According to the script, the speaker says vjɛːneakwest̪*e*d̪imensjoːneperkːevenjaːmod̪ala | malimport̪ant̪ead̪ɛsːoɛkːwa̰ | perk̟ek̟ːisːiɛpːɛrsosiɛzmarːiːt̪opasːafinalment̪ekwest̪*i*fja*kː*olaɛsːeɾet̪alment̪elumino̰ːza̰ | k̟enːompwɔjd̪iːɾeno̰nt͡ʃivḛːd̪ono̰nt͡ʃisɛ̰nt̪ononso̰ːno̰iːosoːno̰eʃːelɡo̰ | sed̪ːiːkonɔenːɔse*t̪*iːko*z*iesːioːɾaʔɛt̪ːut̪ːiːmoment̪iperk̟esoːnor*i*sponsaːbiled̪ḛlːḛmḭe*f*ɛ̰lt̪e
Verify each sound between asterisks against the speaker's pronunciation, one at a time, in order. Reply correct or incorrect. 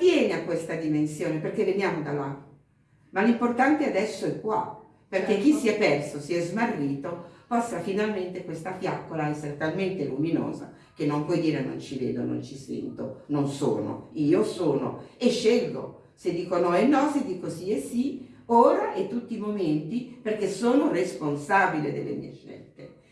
incorrect, incorrect, correct, incorrect, incorrect, incorrect, incorrect

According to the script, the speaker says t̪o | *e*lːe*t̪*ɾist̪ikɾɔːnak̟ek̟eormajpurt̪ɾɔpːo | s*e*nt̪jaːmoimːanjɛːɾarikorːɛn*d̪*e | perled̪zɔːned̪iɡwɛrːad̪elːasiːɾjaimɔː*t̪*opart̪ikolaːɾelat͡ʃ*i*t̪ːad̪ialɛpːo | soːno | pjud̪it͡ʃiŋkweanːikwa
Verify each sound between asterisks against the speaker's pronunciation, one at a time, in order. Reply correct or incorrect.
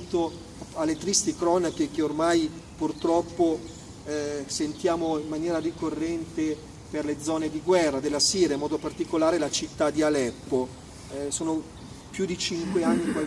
incorrect, correct, correct, incorrect, incorrect, correct

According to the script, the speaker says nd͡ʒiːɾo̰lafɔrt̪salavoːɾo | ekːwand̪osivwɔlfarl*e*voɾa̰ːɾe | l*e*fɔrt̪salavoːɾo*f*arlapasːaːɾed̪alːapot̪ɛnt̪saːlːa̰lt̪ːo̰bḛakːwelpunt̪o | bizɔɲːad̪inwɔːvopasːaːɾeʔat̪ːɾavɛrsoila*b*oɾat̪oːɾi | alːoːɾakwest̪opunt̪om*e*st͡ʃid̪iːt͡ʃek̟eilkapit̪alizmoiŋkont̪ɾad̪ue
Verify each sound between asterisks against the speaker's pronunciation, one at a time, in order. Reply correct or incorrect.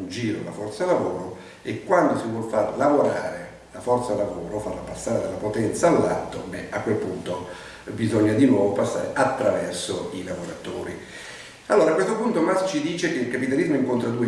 incorrect, incorrect, correct, incorrect, incorrect

